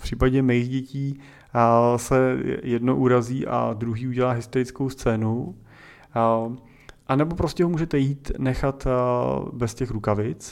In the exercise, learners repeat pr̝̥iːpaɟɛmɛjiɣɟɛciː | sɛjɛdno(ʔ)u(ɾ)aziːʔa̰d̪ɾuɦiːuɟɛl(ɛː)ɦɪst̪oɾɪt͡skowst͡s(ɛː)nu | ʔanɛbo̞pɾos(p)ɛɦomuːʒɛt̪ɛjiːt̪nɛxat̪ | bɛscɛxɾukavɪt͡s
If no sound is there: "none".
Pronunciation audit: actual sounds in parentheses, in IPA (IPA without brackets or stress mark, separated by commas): ʔ, ɾ, aː, ɛː, c